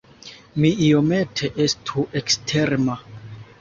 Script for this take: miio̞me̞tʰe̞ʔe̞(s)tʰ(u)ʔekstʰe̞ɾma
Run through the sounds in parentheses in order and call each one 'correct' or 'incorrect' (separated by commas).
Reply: correct, correct